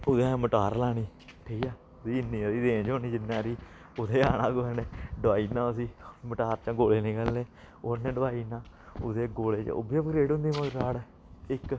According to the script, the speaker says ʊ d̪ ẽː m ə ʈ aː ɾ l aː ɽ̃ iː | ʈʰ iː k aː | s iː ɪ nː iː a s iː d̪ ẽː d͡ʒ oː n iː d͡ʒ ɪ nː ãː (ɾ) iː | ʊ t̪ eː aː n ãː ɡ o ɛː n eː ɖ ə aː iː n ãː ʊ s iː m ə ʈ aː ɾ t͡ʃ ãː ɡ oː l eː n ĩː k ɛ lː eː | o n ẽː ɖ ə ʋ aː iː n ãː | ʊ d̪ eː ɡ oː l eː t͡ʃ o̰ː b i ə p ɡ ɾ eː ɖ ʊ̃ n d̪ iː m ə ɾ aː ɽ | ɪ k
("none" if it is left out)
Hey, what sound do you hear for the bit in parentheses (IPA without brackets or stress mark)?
ɾ